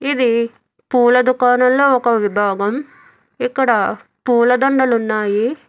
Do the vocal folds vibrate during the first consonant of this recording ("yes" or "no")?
yes